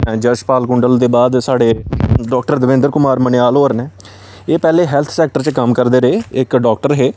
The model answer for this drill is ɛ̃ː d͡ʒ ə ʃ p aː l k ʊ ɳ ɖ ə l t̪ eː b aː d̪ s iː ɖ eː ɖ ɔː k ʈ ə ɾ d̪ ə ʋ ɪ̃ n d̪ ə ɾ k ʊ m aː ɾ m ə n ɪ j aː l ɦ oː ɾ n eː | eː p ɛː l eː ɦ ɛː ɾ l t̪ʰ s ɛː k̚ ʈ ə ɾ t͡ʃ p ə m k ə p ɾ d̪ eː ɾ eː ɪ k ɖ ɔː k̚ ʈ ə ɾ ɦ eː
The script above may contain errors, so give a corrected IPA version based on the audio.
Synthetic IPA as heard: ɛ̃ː d͡ʒ ə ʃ p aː l k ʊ ɳ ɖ ə l d̪ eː b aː d̪ s aː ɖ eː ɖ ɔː k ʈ ə ɾ d̪ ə ʋ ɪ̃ n d̪ ə ɾ k ʊ m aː ɾ m ə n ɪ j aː l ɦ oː ɾ n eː | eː p ɛː l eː ɦ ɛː l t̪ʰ s ɛː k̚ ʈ ə ɾ t͡ʃ k ə m k ə ɾ d̪ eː ɾ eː ɪ k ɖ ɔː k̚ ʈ ə ɾ ɦ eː